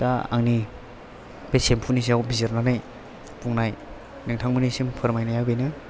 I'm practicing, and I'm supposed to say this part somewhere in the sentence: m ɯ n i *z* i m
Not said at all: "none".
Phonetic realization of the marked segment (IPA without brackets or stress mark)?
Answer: s